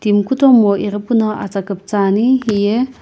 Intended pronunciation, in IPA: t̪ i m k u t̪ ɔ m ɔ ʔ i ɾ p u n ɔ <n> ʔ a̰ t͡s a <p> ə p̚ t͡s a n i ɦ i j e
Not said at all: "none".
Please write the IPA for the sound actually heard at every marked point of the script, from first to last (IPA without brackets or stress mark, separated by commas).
none, k